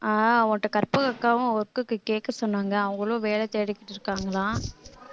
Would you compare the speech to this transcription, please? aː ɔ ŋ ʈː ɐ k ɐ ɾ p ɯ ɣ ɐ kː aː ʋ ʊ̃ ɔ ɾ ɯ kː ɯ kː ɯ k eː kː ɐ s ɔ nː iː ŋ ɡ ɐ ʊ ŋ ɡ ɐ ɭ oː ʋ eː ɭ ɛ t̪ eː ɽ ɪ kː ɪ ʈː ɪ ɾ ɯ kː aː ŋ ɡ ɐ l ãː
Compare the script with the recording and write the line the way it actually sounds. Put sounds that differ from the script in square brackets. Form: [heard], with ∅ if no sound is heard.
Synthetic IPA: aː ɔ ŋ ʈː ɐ k ɐ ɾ p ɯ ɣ ɐ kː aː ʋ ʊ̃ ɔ ɾ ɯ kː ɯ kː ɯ k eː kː ɐ s ɔ nː [aː] ŋ ɡ ɐ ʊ ŋ ɡ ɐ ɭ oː ʋ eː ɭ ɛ t̪ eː ɽ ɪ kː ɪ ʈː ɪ ɾ ɯ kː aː ŋ ɡ ɐ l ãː